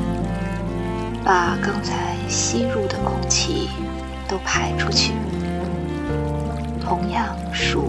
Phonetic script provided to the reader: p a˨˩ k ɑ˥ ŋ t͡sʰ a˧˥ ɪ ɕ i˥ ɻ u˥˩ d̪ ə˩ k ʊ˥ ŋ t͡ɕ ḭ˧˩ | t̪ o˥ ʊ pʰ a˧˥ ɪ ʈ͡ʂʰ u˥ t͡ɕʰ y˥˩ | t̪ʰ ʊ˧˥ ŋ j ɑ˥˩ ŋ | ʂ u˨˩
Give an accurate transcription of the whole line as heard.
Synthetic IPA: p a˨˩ k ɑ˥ ŋ t͡sʰ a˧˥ ɪ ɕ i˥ ɻ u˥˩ d̪ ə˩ k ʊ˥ ŋ t͡ɕʰ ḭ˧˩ | t̪ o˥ ʊ pʰ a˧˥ ɪ ʈ͡ʂʰ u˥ t͡ɕʰ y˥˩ | t̪ʰ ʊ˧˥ ŋ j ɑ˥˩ ŋ | ʂ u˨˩